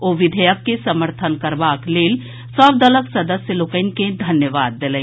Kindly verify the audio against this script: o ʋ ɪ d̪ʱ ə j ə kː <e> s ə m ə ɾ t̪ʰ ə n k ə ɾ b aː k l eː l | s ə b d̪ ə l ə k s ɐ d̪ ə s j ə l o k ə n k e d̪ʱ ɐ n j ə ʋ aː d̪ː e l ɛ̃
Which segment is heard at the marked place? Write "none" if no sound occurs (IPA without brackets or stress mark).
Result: e